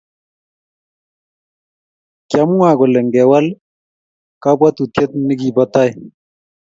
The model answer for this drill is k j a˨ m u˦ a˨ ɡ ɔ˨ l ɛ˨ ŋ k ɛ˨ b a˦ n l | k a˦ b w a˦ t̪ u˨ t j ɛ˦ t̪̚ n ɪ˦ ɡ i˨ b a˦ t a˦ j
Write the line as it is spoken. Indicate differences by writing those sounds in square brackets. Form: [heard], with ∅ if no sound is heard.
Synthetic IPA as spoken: k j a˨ m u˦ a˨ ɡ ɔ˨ l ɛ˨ ŋ [ɡ] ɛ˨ [w] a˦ [∅] l | k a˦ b w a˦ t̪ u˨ t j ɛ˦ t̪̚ n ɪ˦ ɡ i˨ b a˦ t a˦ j